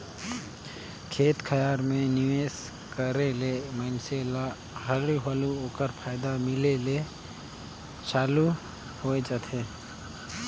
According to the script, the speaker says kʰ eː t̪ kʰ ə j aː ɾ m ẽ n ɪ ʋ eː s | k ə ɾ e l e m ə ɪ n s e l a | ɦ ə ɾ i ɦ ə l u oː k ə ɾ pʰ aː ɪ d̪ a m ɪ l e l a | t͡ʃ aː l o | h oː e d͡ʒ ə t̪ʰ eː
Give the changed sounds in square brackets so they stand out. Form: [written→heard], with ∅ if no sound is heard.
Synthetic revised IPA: kʰ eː t̪ kʰ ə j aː ɾ m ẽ n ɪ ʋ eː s | k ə ɾ e l e m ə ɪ n s e l a | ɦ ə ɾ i ɦ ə l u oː k ə ɾ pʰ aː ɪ d̪ a m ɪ l e l [a→e] | t͡ʃ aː l [o→u] | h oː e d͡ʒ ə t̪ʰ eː

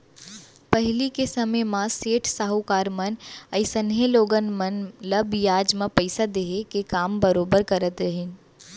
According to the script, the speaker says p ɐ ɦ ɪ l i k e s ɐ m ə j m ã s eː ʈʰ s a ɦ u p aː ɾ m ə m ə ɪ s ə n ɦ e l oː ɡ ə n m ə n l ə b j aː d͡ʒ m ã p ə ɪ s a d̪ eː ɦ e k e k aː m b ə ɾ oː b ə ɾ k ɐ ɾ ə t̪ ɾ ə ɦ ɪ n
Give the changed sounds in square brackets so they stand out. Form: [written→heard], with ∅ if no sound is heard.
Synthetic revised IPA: p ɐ ɦ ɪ l i k e s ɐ m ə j m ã s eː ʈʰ s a ɦ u [p→k] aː ɾ m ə [m→n] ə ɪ s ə n ɦ e l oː ɡ ə n m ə n l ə b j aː d͡ʒ m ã p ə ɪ s a d̪ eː ɦ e k e k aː m b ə ɾ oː b ə ɾ k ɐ ɾ ə t̪ ɾ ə ɦ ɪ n

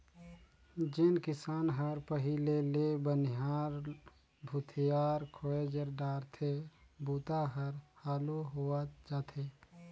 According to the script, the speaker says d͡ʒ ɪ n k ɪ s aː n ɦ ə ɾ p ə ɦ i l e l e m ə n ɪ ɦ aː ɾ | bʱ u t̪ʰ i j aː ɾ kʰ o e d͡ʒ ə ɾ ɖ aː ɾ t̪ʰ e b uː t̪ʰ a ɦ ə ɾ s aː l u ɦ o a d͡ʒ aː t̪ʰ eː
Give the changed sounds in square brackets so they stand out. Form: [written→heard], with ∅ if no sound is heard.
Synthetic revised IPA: d͡ʒ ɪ n k ɪ s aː n ɦ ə ɾ p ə ɦ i l e l e [m→b] ə n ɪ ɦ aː ɾ | bʱ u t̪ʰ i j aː ɾ kʰ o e d͡ʒ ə ɾ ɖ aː ɾ t̪ʰ e b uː [t̪ʰ→t̪] a ɦ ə ɾ [s→h] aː l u ɦ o a d͡ʒ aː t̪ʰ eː

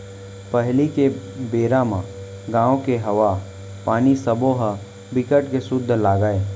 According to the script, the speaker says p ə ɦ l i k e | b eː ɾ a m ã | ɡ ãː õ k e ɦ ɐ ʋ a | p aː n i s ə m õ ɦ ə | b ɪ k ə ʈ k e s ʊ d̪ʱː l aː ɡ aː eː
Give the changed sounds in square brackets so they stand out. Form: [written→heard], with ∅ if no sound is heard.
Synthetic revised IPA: p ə ɦ l i k e | b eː ɾ a m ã | ɡ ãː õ k e ɦ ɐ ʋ a | p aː n i s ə [m→b] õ ɦ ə | b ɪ k ə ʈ k e s ʊ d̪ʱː l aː ɡ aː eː

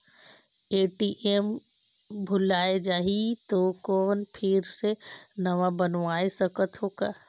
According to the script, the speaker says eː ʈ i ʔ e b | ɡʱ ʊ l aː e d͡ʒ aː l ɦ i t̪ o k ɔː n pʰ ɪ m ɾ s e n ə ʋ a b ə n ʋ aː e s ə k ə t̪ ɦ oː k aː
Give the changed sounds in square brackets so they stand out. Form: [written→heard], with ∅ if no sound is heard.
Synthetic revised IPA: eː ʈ i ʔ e [b→m] | [ɡʱ→bʱ] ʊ l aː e d͡ʒ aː [l→∅] ɦ i t̪ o k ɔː n pʰ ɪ [m→∅] ɾ s e n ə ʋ a b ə n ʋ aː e s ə k ə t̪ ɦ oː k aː

